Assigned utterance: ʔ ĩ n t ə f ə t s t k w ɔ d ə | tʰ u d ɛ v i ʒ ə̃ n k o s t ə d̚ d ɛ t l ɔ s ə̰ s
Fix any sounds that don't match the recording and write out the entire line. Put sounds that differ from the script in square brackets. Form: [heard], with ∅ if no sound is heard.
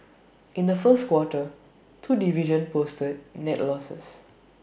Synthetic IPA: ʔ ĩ n [d] ə f ə [∅] s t k w ɔ [t] ə | tʰ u d [i] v i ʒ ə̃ n [p] o s t ə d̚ [n] ɛ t l ɔ s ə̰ s